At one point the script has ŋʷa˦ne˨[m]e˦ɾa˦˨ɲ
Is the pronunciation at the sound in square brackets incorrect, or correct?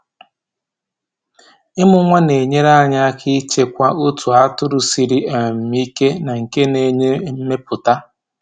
incorrect